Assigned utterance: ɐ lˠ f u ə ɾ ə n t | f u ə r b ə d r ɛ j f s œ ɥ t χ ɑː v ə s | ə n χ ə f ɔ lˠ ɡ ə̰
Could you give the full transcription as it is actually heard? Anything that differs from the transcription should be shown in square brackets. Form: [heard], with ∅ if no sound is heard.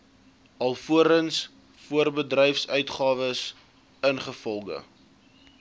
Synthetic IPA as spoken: ɐ lˠ f u ə ɾ ə n [s] | f u ə r b ə d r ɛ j f s œ ɥ t χ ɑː v ə s | ə n χ ə f ɔ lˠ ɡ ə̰